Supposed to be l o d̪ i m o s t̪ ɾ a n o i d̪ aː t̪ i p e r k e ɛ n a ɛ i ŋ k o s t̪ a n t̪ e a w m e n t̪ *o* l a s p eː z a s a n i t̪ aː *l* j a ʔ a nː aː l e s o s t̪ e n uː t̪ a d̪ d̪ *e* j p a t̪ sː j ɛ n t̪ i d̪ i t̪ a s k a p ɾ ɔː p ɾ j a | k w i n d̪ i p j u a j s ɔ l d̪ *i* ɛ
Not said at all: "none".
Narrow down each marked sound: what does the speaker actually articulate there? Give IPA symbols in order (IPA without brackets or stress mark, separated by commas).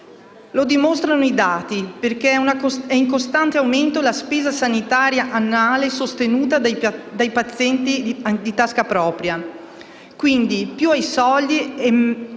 o, ɾ, a, i